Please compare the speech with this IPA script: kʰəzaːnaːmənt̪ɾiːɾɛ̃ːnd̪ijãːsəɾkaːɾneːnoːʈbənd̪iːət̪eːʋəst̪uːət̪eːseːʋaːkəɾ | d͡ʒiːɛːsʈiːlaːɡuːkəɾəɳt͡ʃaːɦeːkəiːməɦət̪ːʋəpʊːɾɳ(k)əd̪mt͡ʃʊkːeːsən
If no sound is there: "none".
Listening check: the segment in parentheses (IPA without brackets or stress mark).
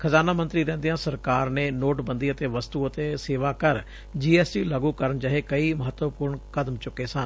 k